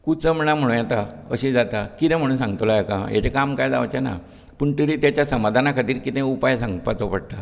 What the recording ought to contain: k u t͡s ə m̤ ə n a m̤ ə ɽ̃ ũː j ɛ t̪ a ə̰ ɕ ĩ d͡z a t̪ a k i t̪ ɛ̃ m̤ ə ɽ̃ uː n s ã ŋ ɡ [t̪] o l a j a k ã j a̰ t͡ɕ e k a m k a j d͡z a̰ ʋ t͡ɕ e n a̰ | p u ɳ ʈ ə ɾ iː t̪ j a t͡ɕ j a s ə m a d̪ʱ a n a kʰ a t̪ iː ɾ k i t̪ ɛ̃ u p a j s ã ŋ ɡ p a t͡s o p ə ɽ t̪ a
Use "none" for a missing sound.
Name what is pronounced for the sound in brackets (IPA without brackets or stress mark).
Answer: t̪